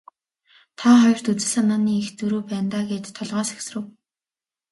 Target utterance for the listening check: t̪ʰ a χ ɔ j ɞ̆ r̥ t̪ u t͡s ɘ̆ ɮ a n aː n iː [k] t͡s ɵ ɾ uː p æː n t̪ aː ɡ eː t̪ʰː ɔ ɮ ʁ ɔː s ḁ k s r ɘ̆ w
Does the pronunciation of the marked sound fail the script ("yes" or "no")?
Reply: yes